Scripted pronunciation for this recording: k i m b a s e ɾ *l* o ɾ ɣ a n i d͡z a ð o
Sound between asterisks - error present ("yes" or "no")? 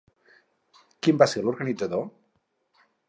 no